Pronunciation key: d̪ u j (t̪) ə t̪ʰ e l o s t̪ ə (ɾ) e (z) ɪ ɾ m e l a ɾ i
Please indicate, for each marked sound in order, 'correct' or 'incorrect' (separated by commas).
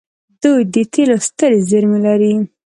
incorrect, correct, correct